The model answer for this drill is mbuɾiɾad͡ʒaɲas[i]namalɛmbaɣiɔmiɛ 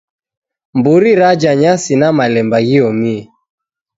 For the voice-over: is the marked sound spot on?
yes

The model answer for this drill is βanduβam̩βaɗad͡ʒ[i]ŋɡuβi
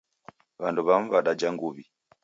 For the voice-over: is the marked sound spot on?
no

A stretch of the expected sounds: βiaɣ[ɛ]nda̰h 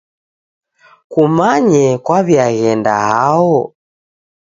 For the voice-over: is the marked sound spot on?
yes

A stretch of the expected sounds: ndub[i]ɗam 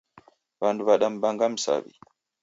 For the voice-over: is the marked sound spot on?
no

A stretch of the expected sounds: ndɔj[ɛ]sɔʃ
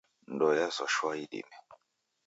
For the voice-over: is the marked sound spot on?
no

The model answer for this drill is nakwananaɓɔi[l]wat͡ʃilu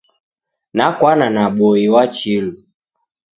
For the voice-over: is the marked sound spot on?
no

